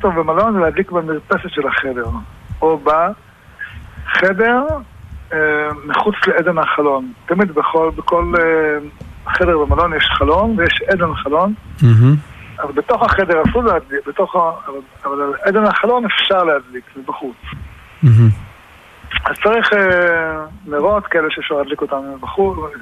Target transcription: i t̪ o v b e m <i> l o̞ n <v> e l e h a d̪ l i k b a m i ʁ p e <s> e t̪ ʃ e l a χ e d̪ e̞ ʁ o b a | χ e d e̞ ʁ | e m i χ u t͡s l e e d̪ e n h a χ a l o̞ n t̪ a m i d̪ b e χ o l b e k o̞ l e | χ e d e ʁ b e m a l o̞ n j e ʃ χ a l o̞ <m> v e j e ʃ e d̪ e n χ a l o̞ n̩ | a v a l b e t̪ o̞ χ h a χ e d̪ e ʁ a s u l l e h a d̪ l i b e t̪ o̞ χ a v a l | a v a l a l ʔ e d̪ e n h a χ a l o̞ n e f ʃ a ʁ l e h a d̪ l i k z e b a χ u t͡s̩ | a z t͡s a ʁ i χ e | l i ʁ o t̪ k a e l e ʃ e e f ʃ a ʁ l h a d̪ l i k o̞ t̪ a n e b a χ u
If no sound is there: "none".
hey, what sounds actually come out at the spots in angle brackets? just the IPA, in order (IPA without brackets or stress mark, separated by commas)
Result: a, z, s, n